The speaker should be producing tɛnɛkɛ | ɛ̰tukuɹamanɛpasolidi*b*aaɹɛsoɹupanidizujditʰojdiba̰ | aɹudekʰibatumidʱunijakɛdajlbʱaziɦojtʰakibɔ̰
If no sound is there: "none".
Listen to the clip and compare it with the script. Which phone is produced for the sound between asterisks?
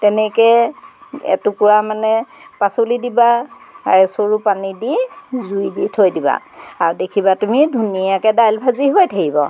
b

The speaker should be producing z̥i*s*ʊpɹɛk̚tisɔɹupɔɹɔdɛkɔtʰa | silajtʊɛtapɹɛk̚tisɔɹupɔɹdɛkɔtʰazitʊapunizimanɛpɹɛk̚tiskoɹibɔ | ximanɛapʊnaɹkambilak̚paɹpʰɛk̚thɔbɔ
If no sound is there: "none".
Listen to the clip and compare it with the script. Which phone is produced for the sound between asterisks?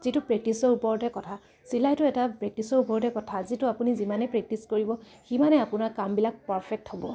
t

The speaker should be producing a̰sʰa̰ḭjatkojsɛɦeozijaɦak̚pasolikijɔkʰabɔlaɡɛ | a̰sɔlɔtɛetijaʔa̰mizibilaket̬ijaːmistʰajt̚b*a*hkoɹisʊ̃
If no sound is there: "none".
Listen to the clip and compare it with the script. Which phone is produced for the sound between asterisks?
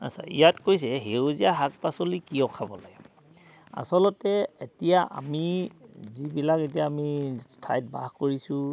a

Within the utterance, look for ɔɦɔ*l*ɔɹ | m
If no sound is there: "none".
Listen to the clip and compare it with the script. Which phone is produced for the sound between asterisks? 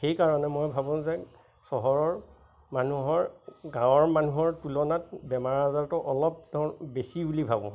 ɹ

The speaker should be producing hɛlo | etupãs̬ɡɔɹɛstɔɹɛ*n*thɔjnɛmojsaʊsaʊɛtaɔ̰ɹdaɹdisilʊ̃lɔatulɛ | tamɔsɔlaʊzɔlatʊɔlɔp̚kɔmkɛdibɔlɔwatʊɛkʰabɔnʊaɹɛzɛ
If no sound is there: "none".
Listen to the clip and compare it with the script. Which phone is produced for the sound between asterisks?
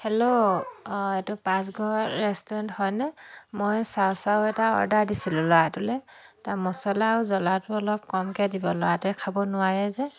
n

